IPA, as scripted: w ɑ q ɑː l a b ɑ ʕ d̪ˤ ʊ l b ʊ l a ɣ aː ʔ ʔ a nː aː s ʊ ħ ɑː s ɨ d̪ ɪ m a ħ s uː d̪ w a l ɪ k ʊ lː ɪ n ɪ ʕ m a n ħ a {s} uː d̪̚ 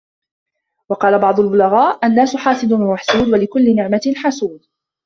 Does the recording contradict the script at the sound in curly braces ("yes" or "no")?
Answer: no